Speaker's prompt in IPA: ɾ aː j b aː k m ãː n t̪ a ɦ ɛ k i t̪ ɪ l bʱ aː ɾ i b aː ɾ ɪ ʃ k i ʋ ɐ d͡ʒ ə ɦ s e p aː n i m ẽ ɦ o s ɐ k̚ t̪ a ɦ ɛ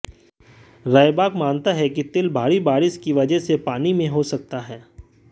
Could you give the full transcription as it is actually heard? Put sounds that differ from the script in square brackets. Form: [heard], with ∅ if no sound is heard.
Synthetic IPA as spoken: ɾ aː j b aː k m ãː n t̪ a ɦ ɛ k i t̪ ɪ l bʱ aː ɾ i b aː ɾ ɪ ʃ k i ʋ ɐ d͡ʒ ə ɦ s e p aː n i m ẽ ɦ o s ɐ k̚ t̪ a ɦ [ɛː]